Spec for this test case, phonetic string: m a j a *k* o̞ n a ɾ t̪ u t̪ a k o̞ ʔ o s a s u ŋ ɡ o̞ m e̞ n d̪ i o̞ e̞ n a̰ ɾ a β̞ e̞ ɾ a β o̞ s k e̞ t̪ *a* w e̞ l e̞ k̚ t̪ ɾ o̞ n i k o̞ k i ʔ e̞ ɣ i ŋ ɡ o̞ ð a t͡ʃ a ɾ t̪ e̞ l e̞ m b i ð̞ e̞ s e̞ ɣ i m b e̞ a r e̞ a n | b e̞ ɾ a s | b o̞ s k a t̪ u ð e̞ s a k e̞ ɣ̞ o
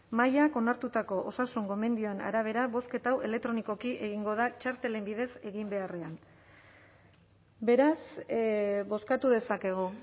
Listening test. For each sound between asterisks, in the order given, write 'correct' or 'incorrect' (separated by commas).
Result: correct, correct